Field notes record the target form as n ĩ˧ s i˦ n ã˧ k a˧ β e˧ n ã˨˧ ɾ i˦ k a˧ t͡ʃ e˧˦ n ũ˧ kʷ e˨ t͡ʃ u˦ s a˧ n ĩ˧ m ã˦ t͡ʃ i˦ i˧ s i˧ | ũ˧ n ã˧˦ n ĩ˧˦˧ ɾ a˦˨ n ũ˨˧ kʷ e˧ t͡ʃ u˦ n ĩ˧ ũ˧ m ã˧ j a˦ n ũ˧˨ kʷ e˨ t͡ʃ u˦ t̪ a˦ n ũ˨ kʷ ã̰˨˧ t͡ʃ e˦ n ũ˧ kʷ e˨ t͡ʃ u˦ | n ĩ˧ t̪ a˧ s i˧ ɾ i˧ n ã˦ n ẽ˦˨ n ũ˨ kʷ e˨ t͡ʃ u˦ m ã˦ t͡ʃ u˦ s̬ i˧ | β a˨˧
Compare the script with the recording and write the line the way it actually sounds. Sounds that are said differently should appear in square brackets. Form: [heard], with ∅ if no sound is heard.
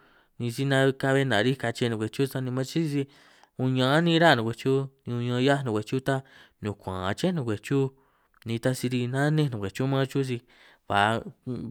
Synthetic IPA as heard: n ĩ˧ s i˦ n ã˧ k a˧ β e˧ n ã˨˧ ɾ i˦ k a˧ t͡ʃ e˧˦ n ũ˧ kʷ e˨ t͡ʃ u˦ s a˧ n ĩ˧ m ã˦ t͡ʃ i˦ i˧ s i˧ | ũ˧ [ɲ] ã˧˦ n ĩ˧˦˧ ɾ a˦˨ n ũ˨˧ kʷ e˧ t͡ʃ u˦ n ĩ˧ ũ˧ [ɲ] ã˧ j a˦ n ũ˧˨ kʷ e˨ t͡ʃ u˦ t̪ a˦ n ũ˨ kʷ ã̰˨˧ t͡ʃ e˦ n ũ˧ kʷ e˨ t͡ʃ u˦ | n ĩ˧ t̪ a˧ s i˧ ɾ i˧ n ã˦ n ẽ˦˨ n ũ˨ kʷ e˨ t͡ʃ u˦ m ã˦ t͡ʃ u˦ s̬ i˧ | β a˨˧